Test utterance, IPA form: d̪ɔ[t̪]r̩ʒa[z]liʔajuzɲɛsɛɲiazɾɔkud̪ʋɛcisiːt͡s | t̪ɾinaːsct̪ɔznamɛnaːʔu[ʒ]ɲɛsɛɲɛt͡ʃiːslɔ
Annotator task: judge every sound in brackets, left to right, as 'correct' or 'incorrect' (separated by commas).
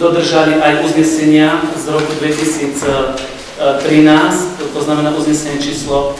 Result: incorrect, incorrect, incorrect